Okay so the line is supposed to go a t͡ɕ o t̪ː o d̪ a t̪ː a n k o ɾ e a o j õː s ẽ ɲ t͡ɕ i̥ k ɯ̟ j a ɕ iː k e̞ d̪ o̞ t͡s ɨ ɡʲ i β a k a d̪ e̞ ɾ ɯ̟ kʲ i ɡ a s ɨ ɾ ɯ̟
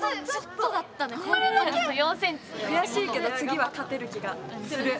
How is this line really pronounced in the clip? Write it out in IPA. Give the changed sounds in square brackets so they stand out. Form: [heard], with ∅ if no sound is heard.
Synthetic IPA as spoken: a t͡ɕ o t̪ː o d̪ a t̪ː a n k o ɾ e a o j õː s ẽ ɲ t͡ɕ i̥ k ɯ̟ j a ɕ iː k e̞ d̪ o̞ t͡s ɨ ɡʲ i β a k a [t̪] e̞ ɾ ɯ̟ kʲ i ɡ a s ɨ ɾ ɯ̟